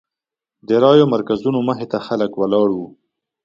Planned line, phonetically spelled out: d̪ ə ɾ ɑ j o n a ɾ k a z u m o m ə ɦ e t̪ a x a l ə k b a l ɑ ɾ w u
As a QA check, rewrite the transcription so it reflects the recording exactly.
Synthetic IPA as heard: d̪ ə ɾ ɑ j o m a ɾ k a z u n o m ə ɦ e t̪ a x a l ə k w a l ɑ ɽ w u